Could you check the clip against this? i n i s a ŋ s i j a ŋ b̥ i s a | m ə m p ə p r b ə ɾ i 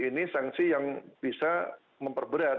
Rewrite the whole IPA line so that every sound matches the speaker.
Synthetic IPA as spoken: i n i s a ŋ s i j a ŋ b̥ i s a | m ə m p ə r b ə ɾ a